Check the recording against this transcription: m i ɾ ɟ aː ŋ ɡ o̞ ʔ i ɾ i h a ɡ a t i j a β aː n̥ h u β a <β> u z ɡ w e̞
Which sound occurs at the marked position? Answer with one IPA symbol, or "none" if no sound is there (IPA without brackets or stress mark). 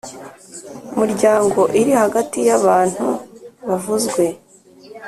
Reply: v